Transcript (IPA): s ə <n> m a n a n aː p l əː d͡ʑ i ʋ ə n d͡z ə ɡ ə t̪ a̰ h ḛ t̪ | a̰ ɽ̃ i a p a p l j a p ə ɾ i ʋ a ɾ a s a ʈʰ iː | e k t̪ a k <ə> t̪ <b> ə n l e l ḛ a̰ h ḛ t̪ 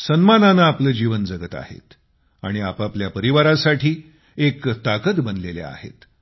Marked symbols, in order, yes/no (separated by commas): yes, yes, yes